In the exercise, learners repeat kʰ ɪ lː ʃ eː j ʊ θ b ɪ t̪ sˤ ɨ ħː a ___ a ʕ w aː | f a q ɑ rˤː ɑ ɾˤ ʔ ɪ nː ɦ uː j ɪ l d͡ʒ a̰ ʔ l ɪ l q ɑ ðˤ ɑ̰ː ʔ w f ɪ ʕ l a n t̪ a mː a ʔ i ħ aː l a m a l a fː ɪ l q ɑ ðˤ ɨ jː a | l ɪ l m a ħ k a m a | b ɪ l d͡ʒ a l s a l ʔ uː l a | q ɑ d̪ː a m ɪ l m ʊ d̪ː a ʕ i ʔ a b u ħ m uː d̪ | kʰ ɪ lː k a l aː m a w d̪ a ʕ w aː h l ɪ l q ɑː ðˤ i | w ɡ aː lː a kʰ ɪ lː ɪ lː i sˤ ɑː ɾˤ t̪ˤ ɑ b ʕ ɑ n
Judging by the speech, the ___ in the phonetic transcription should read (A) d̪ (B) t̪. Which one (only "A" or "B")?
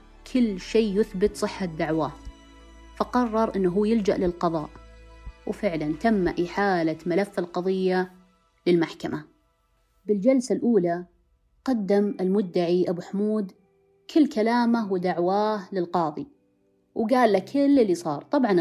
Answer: A